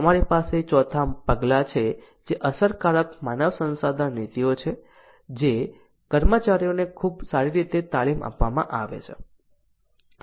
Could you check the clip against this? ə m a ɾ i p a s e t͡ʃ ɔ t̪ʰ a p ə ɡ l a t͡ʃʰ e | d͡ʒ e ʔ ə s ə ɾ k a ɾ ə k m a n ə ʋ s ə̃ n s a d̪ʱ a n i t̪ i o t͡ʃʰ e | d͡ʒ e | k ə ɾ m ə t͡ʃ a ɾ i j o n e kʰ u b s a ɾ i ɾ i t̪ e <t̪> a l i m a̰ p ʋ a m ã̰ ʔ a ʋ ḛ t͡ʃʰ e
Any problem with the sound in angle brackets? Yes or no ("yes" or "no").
no